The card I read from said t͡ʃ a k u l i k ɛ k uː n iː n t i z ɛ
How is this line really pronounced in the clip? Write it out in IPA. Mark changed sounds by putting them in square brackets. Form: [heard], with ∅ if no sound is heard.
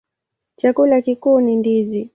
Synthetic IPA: t͡ʃ a k u l [a] k [i] k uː n [i] n [d] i z [i]